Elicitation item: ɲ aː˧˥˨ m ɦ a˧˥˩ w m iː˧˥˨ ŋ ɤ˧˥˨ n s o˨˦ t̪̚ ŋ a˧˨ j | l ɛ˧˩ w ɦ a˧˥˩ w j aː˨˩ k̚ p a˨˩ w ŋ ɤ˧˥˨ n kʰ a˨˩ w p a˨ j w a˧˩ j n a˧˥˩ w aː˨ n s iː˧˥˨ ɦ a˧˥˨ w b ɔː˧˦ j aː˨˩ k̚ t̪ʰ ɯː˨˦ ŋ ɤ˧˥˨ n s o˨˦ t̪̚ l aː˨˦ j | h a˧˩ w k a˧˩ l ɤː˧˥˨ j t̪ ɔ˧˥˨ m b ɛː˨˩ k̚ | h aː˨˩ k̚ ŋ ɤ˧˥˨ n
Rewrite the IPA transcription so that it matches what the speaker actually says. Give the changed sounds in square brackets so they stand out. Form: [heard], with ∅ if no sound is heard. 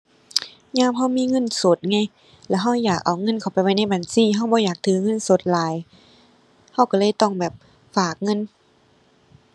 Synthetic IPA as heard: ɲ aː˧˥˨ m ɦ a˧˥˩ w m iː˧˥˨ ŋ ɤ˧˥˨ n s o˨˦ t̪̚ ŋ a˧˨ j | l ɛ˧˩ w ɦ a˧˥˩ w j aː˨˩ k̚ [ʔ] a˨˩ w ŋ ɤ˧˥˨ n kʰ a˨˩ w p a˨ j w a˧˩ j n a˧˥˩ [b] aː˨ n s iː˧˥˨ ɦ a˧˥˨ w b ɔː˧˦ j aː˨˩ k̚ t̪ʰ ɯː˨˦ ŋ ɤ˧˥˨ n s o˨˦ t̪̚ l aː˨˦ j | h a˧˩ w k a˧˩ l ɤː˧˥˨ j t̪ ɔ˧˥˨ [ŋ] b ɛː˨˩ [p̚] | [f] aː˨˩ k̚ ŋ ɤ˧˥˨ n